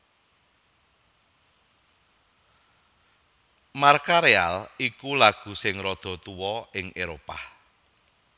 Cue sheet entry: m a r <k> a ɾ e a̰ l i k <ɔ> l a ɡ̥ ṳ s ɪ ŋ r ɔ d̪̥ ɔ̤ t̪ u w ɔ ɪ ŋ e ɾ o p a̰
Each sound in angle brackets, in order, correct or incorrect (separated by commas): correct, incorrect